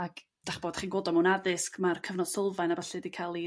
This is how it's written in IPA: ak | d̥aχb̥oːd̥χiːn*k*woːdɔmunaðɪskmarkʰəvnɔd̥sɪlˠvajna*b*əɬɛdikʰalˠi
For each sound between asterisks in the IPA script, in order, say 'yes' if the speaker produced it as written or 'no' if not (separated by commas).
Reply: no, yes